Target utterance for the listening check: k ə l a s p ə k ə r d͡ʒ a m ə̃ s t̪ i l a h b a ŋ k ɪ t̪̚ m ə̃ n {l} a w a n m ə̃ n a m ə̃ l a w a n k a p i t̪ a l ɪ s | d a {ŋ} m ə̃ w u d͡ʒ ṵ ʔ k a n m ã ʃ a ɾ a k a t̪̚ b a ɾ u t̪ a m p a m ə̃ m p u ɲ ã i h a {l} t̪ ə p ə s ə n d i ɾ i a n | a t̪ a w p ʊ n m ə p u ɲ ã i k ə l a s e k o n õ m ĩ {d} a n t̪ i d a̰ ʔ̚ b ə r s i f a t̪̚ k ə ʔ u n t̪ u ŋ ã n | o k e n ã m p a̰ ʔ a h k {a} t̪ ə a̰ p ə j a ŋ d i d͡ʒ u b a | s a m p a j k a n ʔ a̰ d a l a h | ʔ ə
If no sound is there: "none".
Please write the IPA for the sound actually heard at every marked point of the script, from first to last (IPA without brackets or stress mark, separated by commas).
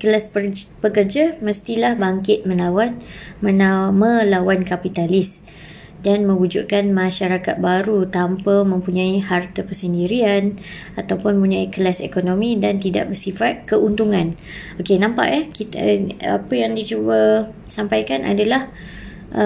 l, n, r, d, i